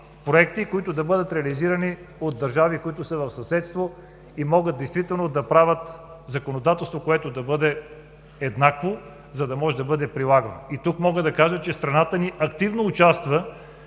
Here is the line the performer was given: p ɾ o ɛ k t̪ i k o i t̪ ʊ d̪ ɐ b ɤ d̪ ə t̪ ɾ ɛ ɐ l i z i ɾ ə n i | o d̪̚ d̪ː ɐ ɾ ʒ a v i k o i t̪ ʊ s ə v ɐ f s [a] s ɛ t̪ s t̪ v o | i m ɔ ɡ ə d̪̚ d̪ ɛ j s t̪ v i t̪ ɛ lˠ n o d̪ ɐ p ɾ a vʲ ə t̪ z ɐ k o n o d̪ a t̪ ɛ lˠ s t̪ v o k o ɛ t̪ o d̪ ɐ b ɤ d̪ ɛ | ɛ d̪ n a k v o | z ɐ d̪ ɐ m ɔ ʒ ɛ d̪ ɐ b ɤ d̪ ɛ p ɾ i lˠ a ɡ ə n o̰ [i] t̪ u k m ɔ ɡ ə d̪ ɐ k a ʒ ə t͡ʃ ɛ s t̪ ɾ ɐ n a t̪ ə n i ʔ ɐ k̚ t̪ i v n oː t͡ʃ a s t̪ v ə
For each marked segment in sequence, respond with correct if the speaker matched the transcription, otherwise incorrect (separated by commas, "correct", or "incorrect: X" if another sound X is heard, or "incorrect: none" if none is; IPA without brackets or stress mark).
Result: incorrect: ɐ, correct